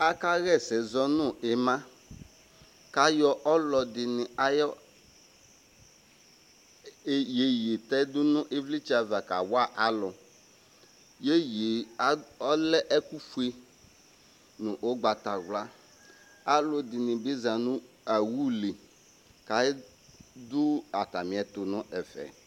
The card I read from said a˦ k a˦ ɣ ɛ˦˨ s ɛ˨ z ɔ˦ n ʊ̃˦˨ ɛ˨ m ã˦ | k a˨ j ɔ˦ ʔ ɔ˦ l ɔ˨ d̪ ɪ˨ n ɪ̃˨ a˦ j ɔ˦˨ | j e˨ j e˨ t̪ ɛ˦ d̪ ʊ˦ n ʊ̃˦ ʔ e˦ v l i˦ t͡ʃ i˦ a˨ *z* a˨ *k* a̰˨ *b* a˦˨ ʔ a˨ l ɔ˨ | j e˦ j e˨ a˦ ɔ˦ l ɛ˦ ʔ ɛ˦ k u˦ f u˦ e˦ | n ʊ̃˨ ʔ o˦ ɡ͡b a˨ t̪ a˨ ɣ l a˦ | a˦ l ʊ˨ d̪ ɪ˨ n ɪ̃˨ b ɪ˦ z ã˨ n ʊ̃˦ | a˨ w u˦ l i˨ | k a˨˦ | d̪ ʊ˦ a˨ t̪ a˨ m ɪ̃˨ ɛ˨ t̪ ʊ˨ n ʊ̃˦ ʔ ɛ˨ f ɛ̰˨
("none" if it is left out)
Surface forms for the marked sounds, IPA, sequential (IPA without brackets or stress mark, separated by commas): v, k, w